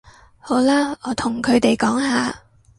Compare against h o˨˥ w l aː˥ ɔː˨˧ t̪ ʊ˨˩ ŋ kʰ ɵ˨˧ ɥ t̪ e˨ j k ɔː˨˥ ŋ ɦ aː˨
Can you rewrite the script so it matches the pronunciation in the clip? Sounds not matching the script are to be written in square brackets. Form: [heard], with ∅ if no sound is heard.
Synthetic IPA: h o˨˥ w l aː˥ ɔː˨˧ [t̪ʰ] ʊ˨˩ ŋ kʰ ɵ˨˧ ɥ t̪ e˨ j k ɔː˨˥ ŋ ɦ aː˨